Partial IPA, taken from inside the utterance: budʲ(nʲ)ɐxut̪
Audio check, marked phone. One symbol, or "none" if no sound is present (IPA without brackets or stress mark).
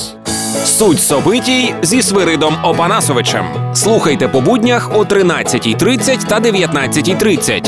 nʲ